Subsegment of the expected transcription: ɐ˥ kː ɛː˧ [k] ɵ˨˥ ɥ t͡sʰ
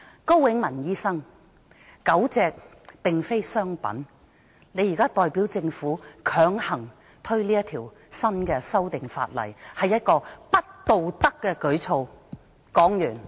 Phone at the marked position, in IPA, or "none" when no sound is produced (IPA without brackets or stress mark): k